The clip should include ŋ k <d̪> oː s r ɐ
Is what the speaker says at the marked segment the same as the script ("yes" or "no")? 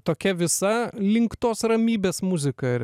no